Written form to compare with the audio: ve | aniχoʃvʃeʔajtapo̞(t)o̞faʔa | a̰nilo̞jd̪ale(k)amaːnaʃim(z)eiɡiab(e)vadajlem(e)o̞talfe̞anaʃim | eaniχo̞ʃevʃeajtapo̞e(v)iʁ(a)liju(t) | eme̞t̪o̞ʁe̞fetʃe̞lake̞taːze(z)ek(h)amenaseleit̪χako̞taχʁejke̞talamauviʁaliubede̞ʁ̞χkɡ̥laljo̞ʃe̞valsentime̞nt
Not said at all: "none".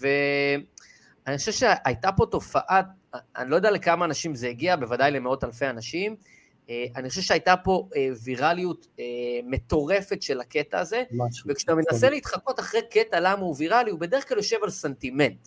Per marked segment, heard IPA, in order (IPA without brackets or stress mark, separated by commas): t, k, z, e, e, v, a, t, v, ʃ